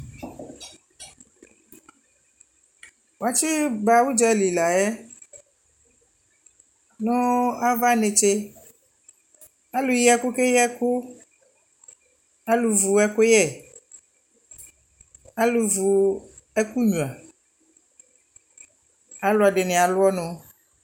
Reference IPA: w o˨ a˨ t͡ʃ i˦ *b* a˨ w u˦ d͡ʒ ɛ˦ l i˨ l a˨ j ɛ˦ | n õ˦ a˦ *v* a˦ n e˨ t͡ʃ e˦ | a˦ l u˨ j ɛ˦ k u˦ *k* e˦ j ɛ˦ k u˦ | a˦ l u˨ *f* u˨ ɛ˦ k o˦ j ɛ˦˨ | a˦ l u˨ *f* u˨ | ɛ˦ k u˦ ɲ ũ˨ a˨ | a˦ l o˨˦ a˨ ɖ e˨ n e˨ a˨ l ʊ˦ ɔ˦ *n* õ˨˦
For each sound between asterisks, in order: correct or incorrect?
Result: correct, correct, correct, incorrect, incorrect, correct

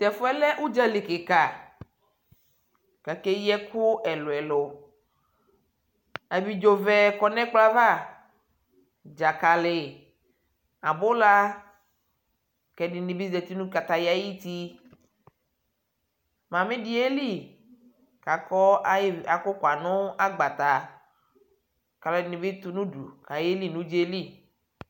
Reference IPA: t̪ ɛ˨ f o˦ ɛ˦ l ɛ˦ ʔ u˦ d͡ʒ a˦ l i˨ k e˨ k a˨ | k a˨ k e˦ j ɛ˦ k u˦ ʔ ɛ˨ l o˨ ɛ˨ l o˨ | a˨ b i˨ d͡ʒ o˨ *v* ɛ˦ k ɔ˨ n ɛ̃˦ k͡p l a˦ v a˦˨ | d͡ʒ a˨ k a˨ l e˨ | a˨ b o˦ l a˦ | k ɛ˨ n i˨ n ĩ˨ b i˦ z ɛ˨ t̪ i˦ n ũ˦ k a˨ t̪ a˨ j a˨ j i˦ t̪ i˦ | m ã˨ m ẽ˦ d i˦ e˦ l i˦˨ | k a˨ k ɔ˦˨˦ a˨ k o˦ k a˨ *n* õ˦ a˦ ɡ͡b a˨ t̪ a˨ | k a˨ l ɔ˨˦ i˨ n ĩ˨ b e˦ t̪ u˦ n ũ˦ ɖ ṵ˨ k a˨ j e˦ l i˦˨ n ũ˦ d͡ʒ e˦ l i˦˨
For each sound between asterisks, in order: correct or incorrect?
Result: correct, correct

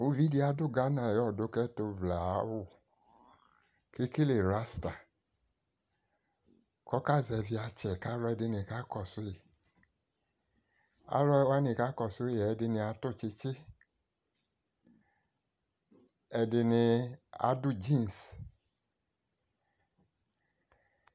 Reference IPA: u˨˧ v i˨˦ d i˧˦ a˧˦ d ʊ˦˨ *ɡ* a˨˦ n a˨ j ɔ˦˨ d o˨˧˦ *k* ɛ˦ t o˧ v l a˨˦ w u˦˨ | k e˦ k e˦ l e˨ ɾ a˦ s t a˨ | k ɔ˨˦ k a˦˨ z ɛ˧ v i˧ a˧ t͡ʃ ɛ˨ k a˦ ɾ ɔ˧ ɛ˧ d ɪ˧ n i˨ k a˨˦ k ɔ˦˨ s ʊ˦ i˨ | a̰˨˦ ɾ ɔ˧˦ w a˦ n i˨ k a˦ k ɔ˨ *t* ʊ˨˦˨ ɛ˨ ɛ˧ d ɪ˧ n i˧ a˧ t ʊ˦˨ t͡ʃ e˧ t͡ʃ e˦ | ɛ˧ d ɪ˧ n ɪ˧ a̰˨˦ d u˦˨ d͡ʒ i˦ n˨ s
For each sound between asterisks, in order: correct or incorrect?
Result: correct, correct, incorrect

